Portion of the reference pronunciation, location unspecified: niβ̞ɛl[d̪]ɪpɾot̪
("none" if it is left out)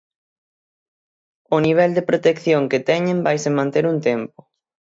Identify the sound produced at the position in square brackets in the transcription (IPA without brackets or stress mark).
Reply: d̪